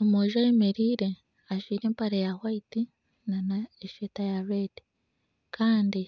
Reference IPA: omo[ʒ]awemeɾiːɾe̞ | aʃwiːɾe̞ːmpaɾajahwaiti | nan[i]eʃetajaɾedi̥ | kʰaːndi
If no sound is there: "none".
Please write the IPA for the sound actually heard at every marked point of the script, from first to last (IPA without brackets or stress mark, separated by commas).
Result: ʒ, a